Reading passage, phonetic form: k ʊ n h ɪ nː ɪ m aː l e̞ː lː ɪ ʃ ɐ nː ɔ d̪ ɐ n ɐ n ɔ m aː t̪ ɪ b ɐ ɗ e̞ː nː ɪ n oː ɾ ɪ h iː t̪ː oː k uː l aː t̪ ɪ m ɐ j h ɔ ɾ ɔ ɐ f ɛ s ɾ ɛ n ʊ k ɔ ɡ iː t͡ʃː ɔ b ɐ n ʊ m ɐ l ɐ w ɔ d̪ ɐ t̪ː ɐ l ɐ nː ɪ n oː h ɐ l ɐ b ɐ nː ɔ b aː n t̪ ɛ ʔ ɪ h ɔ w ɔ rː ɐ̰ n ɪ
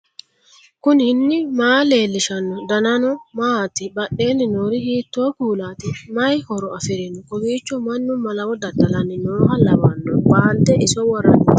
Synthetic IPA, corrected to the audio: k ʊ n h ɪ nː ɪ m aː l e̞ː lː ɪ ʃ ɐ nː ɔ d̪ ɐ n ɐ n ɔ m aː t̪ ɪ b ɐ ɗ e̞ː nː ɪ n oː ɾ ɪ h iː t̪ː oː k uː l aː t̪ ɪ m ɐ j h ɔ ɾ ɔ ɐ f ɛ ɾ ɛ n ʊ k ɔ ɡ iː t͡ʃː ɔ m ɐ nː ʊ m ɐ l ɐ w ɔ d̪ ɐ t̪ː ɐ l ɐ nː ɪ n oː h ɐ l ɐ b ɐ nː ɔ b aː n t̪ ɛ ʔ ɪ s ɔ w ɔ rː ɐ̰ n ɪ